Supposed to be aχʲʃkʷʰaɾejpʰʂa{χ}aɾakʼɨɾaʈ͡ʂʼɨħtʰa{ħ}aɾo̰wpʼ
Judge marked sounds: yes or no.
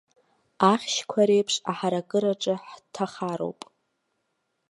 no, no

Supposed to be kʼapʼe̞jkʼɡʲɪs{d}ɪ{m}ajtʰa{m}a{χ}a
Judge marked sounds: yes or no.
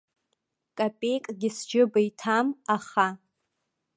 no, no, yes, yes

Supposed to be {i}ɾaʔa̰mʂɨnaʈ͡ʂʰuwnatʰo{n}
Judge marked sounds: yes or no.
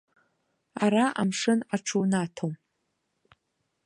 no, no

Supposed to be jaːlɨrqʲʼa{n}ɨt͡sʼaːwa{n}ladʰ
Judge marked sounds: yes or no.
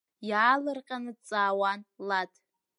yes, yes

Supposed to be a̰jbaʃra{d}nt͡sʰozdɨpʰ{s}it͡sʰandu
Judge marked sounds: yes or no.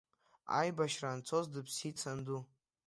no, yes

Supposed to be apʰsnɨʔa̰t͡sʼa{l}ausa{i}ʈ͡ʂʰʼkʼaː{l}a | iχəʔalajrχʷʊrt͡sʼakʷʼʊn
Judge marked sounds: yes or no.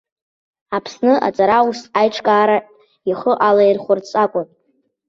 no, no, no

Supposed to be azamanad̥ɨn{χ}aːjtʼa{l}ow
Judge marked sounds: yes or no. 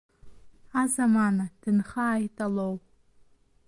yes, yes

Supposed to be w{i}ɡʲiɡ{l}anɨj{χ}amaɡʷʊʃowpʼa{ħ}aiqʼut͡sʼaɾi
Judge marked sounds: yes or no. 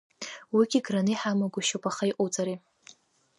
yes, no, no, no

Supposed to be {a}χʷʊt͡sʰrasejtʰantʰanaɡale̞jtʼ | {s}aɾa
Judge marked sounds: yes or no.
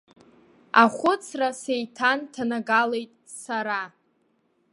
yes, yes

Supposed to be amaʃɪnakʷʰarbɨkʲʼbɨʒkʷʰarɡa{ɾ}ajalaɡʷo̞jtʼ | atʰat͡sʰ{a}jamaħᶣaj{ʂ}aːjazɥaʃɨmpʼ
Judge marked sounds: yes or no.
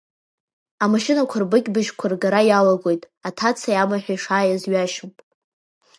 yes, yes, yes

